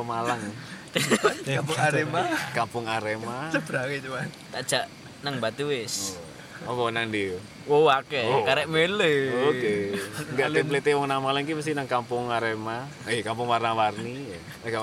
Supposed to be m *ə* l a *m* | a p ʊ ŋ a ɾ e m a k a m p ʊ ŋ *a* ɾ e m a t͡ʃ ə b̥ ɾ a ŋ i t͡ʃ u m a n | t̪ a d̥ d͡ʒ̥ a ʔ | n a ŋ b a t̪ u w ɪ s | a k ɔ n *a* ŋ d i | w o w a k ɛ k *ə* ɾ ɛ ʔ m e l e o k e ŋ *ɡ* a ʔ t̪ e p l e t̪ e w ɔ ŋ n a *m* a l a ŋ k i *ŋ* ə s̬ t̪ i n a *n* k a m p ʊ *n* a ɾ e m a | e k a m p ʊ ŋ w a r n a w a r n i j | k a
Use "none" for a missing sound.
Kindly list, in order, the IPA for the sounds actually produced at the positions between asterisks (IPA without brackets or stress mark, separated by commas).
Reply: a, ŋ, a, a, a, ɡ, m, m, ŋ, ŋ